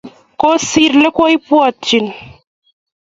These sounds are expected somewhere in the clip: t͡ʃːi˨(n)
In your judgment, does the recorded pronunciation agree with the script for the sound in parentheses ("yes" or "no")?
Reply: yes